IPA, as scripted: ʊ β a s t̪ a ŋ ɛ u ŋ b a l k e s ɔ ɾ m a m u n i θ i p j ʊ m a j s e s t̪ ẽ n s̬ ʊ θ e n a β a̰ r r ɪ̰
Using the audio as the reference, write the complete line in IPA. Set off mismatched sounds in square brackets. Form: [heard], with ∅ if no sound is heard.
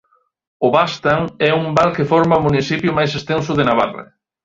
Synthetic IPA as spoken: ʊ β a s t̪ a ŋ ɛ u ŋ b a l k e [f] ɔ ɾ m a m u n i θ i p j ʊ m a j s e s t̪ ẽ n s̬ ʊ [ð] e n a β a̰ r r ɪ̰